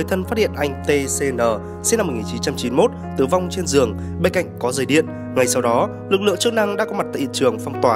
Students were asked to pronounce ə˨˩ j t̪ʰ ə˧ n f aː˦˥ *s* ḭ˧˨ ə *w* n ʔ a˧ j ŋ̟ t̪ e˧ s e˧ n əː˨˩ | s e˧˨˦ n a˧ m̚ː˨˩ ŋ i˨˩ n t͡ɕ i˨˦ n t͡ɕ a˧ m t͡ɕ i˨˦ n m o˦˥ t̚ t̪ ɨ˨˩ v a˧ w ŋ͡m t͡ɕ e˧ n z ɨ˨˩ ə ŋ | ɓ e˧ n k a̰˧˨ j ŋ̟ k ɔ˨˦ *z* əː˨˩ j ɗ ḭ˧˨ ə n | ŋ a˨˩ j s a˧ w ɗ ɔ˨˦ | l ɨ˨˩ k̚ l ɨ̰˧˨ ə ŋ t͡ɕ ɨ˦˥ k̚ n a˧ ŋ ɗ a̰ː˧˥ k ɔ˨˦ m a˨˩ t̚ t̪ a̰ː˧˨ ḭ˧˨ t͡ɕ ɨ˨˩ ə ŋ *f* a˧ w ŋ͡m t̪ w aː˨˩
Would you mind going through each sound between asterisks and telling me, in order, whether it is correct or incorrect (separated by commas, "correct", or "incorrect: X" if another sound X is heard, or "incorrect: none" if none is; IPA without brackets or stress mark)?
incorrect: h, incorrect: none, correct, correct